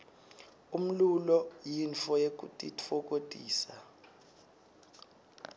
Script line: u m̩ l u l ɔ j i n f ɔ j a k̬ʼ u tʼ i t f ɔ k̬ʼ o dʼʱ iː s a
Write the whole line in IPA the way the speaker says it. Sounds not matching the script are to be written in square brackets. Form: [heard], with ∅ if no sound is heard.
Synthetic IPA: u m̩ l u l ɔ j i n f ɔ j [e] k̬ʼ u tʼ i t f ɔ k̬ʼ o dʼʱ iː s a